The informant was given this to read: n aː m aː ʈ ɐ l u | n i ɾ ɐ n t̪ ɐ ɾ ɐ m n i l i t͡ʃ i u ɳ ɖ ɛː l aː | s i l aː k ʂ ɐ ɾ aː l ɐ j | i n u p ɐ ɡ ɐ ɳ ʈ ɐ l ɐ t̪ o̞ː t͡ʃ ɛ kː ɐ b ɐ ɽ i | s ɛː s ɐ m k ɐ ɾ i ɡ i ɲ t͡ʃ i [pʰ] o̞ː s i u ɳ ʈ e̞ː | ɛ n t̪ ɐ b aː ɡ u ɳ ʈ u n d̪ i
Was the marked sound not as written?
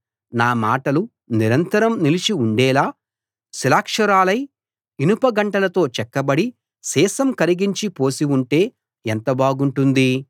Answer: yes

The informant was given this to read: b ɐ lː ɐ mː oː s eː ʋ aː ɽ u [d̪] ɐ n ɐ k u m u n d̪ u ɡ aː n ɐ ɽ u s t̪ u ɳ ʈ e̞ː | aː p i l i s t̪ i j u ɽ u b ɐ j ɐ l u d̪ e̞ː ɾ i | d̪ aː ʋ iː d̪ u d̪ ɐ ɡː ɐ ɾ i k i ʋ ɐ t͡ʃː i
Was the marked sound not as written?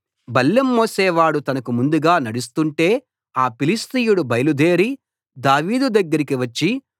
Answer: yes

